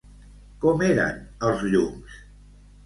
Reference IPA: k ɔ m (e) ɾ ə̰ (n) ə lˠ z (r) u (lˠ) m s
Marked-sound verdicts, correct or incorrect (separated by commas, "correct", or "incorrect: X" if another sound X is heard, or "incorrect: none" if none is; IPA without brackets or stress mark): correct, correct, incorrect: ʎ, incorrect: none